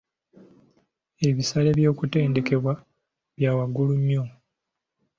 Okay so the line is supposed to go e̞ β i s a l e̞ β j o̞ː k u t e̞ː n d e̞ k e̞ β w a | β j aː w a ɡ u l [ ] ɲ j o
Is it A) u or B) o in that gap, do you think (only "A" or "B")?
A